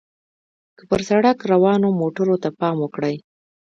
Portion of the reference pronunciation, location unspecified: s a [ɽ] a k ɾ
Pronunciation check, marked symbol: correct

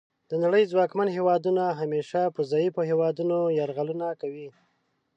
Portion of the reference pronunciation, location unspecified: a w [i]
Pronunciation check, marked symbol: correct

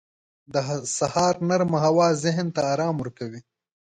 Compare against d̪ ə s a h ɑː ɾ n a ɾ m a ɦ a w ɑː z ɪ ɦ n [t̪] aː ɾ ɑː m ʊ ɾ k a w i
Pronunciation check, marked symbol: correct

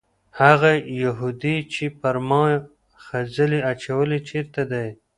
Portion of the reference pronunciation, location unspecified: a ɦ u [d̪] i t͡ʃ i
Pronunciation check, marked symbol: correct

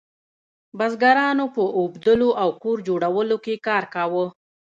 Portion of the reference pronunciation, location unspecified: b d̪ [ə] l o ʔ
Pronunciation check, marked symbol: correct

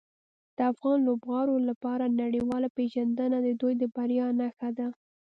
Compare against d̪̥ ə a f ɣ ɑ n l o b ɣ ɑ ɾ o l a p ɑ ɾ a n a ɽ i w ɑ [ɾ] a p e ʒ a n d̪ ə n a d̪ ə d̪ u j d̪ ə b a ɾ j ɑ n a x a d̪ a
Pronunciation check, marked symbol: incorrect: l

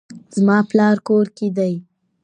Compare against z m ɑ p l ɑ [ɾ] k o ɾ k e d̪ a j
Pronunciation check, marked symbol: correct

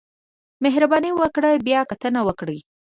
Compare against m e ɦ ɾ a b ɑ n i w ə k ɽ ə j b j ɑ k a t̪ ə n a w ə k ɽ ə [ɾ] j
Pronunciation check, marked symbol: incorrect: none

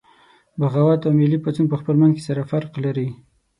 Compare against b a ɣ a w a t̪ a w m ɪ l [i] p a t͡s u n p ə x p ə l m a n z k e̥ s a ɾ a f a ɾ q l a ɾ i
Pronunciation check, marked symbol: correct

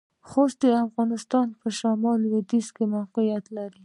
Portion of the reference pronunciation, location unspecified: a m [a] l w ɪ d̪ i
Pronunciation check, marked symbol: incorrect: ɑ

